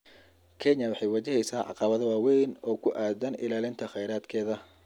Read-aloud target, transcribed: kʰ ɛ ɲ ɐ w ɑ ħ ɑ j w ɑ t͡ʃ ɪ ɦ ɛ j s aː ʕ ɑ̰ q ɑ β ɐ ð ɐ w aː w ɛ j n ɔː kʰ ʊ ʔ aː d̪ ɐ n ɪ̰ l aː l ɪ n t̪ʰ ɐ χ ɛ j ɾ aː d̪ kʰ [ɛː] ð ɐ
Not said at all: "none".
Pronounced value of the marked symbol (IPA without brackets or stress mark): ɛː